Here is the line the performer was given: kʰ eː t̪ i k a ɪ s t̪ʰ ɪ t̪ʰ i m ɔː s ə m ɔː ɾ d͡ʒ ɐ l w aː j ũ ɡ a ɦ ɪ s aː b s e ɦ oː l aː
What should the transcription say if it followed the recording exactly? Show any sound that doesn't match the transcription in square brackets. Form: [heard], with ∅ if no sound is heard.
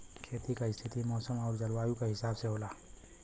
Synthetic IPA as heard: kʰ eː t̪ i k a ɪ s t̪ʰ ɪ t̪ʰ i m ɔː s ə m ɔː ɾ d͡ʒ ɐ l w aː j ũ [k] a ɦ ɪ s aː b s e ɦ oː l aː